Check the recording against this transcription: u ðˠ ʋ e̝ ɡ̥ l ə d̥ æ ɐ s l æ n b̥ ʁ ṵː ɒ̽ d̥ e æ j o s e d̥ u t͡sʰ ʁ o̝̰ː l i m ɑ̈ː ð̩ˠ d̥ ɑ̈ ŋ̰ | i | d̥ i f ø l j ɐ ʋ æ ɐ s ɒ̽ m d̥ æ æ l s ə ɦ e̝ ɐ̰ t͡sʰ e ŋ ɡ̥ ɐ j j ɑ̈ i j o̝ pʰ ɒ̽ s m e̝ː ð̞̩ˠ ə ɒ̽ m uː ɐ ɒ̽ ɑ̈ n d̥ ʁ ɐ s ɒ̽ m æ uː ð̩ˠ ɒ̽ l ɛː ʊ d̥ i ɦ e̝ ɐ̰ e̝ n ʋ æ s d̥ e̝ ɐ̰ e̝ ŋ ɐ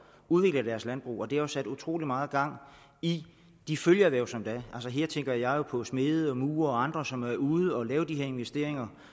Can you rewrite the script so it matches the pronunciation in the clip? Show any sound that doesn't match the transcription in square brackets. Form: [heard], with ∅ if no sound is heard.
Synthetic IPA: u ðˠ ʋ e̝ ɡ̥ l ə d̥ æ ɐ s l æ n b̥ ʁ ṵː ɒ̽ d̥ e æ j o s [æ] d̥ u t͡sʰ ʁ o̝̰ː l i m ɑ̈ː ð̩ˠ [ɡ̥] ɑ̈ ŋ̰ | i | d̥ i f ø l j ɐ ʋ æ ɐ s ɒ̽ m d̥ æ æ l s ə ɦ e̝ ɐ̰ t͡sʰ e ŋ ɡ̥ ɐ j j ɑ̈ [ɪ] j o̝ pʰ ɒ̽ s m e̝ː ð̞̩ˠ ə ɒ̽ m uː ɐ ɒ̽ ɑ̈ n d̥ ʁ ɐ s ɒ̽ m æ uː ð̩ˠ ɒ̽ l ɛː ʊ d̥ i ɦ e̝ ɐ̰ e̝ n ʋ [e] s d̥ e̝ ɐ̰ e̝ ŋ ɐ

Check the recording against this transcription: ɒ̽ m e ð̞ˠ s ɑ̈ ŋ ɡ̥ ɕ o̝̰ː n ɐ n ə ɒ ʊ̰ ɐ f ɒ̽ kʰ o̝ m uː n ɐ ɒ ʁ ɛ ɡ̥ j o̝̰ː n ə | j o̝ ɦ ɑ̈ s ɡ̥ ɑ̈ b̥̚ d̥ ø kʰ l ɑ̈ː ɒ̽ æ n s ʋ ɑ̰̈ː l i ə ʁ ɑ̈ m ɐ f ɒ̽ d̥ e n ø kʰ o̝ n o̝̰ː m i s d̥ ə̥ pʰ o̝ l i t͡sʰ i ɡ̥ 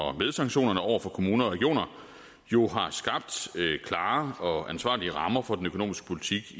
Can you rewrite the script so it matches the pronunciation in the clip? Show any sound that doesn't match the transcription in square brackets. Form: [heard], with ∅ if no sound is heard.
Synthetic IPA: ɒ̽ m e ð̞ˠ s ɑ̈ ŋ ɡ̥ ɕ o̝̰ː n ɐ n ə ɒ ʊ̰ ɐ f ɒ̽ kʰ o̝ m uː n ɐ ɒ ʁ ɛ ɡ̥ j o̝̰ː n [ɐ] | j o̝ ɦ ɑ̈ s ɡ̥ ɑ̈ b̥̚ d̥ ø kʰ l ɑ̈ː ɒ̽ æ n s ʋ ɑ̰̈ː l i ə ʁ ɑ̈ m ɐ f ɒ̽ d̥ e n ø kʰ o̝ n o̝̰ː m i s [ɡ̥] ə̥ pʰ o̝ l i t͡sʰ i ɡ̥

